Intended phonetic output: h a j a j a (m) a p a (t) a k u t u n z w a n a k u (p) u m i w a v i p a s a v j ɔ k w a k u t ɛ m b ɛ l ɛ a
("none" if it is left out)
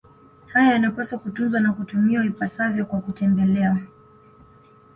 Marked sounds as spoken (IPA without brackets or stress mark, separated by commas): n, s, t